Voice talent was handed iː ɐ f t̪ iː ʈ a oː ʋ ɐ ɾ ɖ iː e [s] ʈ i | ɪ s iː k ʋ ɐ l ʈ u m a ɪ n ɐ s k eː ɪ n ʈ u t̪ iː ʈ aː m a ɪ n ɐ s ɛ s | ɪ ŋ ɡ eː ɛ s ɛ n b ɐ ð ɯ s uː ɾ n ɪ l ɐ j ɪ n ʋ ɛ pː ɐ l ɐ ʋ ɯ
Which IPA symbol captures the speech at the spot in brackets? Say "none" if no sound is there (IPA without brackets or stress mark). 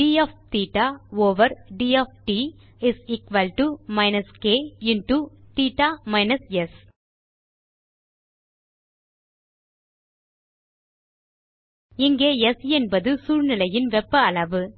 f